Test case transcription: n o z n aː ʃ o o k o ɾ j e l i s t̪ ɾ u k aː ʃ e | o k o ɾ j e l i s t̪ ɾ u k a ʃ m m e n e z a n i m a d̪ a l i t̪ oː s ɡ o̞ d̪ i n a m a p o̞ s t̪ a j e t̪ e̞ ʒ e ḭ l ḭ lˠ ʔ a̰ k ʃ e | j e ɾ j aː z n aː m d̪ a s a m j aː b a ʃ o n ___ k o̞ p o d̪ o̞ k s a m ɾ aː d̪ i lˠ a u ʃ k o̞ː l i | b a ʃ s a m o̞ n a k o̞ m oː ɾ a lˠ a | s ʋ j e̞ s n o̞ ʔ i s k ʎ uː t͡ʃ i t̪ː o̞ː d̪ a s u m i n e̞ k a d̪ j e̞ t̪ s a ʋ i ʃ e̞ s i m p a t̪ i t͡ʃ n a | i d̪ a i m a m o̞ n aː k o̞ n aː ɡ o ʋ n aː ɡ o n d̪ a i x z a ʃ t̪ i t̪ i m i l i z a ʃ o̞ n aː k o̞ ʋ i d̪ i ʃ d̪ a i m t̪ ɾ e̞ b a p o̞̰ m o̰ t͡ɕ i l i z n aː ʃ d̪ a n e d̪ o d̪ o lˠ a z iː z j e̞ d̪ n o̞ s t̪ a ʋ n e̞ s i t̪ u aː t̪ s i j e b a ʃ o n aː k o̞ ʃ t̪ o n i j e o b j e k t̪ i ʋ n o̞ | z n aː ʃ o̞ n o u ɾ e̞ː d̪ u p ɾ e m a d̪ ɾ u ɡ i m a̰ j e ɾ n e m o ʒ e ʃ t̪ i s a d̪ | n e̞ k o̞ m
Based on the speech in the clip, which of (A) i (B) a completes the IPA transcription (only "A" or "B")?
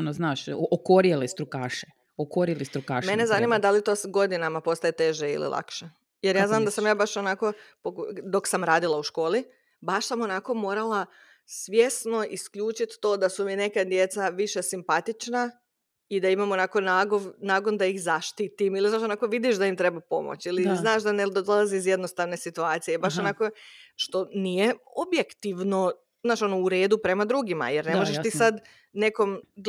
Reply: B